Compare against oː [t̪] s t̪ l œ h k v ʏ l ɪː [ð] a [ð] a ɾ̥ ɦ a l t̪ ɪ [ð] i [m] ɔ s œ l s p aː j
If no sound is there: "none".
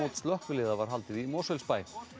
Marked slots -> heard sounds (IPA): t̪, ð, v, ð, m

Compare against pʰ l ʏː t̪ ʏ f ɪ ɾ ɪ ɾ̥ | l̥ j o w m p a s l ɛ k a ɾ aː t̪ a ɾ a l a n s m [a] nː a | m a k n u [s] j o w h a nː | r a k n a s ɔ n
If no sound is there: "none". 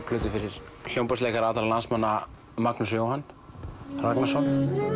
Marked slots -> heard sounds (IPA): a, s

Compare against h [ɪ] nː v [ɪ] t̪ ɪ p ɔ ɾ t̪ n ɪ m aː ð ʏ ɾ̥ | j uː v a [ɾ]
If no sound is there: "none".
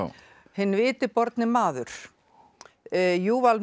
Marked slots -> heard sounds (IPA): ɪ, ɪː, l

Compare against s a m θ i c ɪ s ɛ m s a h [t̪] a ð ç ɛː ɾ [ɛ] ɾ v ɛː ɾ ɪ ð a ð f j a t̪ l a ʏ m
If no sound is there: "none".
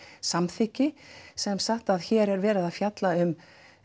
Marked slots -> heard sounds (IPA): t̪, ɛ

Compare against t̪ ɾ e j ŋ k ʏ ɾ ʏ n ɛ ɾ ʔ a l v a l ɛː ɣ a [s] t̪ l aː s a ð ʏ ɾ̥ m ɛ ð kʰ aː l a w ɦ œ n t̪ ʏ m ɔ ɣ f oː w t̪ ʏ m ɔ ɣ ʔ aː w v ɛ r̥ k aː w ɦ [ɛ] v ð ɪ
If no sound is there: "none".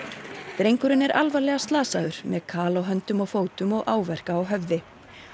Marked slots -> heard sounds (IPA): s, œ

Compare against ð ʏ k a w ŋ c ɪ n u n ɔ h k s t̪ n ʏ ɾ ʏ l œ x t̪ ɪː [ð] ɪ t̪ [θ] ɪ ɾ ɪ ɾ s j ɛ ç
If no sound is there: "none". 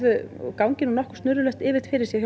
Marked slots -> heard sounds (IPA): v, f

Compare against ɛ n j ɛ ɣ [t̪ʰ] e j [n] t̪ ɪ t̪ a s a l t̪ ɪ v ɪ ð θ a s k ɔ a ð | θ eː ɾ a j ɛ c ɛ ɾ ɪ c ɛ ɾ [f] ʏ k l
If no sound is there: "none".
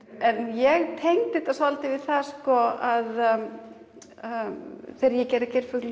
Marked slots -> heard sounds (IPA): t̪ʰ, ŋ, f

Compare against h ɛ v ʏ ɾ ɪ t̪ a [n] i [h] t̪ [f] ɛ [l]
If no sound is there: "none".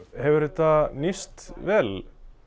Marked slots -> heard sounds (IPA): n, s, v, l

